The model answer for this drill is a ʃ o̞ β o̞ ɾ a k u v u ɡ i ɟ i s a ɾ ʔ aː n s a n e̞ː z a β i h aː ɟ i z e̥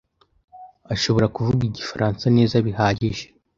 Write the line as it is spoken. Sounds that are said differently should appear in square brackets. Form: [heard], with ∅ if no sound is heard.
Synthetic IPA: a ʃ o̞ β o̞ ɾ a k u v u ɡ i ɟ i [f] a ɾ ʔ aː n s a n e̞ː z a β i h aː ɟ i [ʒ] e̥